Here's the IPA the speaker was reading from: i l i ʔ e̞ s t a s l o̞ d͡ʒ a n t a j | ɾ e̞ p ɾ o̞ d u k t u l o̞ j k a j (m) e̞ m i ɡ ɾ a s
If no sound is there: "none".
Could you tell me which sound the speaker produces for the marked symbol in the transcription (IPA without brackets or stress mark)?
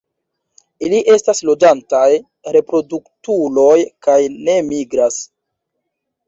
n